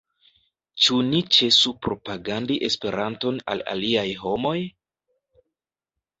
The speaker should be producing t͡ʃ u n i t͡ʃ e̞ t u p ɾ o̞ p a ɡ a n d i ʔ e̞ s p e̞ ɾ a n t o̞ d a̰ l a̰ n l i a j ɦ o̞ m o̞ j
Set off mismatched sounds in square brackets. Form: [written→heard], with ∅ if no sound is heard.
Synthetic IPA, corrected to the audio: t͡ʃ u n i t͡ʃ e̞ [t→s] u p ɾ o̞ p a ɡ a n d i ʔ e̞ s p e̞ ɾ a n t o̞ [d→n] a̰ l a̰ [n→∅] l i a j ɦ o̞ m o̞ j